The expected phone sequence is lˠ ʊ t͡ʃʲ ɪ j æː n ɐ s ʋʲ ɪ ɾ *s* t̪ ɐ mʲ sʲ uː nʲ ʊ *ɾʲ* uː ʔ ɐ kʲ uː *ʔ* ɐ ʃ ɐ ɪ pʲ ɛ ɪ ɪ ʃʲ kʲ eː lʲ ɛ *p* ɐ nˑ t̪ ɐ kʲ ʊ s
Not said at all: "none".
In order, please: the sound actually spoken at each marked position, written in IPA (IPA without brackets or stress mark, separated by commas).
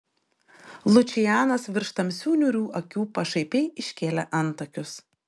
ʃ, ɾʲ, p, ʔ